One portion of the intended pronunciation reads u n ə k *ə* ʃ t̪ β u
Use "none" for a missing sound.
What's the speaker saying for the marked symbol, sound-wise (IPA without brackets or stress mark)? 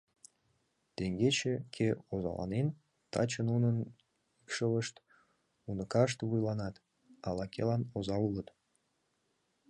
ɑ